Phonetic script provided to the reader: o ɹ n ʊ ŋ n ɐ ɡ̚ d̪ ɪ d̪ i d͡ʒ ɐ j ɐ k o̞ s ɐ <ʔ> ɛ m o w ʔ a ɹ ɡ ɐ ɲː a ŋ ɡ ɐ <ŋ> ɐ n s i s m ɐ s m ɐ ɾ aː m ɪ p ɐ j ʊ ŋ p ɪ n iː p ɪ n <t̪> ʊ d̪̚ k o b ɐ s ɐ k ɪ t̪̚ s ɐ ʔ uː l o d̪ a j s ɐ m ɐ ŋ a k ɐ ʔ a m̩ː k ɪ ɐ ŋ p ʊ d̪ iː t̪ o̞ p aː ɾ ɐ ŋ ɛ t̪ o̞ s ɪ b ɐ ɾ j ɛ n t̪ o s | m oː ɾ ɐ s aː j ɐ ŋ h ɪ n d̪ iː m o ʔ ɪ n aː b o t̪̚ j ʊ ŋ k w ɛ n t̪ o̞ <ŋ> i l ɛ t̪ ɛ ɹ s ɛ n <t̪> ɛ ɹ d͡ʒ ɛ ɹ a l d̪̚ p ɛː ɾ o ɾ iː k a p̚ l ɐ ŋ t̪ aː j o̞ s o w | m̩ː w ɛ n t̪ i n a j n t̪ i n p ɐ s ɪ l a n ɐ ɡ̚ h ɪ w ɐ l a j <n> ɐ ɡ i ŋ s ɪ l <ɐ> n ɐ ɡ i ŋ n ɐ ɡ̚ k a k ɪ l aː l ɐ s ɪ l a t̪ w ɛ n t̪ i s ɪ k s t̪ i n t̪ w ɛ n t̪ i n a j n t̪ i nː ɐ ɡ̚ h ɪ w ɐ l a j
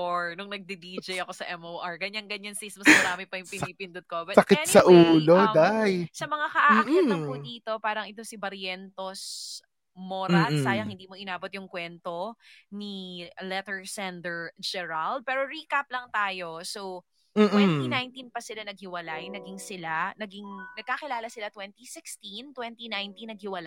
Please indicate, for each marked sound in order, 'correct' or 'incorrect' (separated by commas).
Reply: correct, incorrect, incorrect, incorrect, incorrect, correct, incorrect